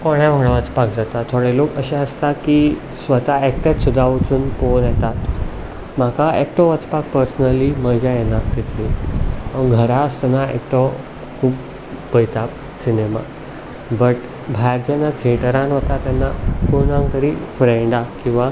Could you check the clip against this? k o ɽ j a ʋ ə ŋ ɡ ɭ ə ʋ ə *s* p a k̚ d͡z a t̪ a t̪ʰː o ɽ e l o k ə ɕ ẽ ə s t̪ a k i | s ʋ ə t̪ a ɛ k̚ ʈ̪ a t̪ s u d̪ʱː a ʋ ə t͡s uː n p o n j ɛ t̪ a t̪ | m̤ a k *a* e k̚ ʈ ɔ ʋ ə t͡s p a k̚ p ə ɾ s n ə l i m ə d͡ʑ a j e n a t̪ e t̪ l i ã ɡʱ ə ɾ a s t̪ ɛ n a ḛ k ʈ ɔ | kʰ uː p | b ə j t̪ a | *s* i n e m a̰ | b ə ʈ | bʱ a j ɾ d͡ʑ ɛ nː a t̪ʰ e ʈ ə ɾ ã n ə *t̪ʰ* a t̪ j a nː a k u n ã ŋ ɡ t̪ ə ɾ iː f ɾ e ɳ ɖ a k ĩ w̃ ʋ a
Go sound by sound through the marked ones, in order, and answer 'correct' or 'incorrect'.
incorrect: t͡s, correct, correct, incorrect: t̪

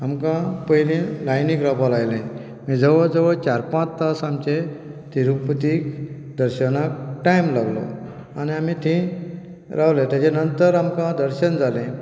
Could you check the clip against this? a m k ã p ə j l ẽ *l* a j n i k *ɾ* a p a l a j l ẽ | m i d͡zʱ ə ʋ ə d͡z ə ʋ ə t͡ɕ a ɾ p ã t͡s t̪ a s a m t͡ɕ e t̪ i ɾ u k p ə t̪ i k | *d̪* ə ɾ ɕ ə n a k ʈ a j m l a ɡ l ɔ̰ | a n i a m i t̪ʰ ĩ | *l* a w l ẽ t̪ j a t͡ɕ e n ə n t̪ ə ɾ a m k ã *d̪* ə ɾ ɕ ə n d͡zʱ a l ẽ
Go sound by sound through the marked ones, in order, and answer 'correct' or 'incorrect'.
correct, correct, correct, incorrect: ɾ, correct

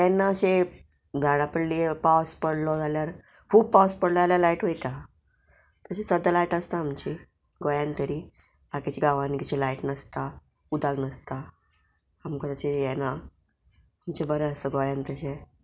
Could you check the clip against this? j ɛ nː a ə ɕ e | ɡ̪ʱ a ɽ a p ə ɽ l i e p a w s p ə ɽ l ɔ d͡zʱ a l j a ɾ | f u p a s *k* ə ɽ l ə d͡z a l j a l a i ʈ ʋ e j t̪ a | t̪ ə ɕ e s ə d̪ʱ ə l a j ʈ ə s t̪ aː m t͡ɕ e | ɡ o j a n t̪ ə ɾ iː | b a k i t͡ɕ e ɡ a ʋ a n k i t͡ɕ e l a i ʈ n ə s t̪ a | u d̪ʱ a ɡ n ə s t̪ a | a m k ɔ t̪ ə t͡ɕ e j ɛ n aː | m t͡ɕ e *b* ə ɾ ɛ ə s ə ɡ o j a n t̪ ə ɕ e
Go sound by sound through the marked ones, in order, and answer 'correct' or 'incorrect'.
incorrect: p, correct

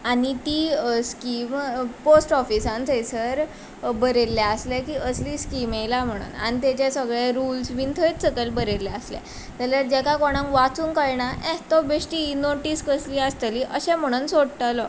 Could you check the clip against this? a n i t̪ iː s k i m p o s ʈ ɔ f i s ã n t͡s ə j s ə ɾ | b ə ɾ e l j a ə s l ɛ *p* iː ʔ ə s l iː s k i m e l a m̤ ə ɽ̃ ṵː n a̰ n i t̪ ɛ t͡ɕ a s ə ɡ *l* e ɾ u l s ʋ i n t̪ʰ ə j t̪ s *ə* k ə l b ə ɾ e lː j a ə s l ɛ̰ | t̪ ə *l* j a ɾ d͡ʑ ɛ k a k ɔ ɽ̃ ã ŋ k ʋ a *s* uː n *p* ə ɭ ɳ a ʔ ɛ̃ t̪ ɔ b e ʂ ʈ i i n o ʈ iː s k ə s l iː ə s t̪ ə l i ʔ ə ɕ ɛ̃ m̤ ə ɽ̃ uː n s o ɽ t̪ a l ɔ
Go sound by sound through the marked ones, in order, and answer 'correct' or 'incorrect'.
incorrect: k, incorrect: ɭ, correct, correct, incorrect: t͡s, incorrect: k

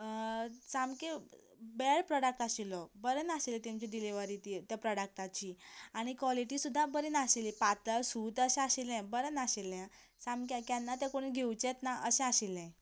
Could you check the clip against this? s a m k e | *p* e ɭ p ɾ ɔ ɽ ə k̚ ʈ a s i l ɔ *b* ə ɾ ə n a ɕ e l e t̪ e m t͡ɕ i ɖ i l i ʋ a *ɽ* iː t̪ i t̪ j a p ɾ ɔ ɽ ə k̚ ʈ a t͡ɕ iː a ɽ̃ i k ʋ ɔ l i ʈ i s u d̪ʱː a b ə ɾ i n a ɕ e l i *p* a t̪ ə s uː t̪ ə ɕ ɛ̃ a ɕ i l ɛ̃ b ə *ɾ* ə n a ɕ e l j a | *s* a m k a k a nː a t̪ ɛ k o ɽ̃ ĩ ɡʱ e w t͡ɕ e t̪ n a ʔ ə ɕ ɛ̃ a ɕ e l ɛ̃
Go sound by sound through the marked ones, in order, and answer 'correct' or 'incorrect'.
incorrect: b, correct, incorrect: ɾ, correct, correct, correct

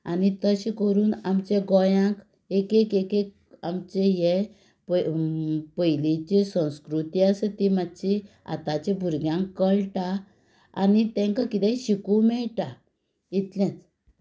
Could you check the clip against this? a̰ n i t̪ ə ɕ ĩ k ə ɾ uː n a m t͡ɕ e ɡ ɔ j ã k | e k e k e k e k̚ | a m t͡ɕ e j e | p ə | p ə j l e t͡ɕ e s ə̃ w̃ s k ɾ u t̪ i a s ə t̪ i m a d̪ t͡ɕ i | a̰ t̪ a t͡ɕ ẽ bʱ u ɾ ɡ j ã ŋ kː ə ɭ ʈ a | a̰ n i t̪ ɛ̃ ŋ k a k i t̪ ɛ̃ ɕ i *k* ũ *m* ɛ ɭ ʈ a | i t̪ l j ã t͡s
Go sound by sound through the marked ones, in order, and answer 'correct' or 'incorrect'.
correct, correct

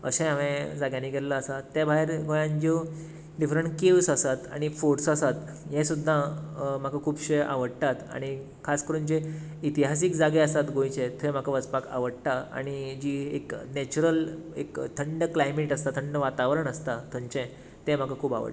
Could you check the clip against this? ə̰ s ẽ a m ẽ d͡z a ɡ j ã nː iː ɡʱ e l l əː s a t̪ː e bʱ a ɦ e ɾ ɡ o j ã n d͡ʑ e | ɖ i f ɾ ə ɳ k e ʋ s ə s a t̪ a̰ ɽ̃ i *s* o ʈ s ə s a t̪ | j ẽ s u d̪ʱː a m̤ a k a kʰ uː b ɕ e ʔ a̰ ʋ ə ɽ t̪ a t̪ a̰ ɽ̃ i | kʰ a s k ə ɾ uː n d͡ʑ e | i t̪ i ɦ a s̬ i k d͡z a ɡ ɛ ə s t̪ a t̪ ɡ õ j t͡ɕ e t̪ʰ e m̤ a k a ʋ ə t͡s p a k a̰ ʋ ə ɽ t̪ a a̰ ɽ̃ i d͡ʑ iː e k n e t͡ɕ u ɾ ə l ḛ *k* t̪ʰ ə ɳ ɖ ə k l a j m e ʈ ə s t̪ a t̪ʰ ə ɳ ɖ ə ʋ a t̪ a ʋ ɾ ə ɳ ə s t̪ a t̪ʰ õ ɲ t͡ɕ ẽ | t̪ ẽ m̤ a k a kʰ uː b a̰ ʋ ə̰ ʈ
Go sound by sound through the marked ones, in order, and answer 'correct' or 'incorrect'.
incorrect: f, correct

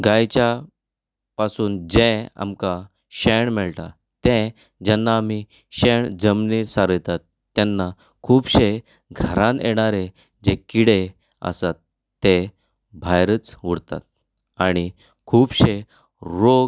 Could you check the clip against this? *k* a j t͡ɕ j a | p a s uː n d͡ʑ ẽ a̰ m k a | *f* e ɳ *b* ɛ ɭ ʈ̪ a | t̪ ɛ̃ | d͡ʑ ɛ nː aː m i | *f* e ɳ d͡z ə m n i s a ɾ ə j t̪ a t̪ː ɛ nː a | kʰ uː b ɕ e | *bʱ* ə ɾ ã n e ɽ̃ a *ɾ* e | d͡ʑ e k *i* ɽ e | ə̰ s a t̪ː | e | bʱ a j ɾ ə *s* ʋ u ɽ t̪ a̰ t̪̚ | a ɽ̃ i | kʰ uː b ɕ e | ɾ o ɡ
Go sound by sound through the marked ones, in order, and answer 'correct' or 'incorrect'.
incorrect: ɡ, incorrect: ɕ, incorrect: m, incorrect: ɕ, incorrect: ɡʱ, correct, correct, incorrect: t͡s

